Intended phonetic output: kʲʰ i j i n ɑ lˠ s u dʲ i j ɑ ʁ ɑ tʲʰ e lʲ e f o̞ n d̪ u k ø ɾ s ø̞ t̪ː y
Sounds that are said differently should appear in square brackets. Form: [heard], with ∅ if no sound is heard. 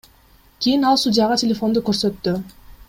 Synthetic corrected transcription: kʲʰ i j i n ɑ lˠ s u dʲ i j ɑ ʁ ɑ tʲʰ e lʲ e f o̞ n d̪ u k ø ɾ s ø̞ t̪ː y